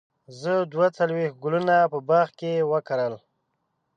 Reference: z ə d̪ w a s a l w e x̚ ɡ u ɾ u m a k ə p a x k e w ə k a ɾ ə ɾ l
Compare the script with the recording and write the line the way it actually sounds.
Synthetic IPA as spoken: z ə d̪ w a t͡s a l w e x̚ ɡ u l u n a p ə b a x k e w ə k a ɾ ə l